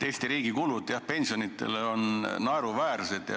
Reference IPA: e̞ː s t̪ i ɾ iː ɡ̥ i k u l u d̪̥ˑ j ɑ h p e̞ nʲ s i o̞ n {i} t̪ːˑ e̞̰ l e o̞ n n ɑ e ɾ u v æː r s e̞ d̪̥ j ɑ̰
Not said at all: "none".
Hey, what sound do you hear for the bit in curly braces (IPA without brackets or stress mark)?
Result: i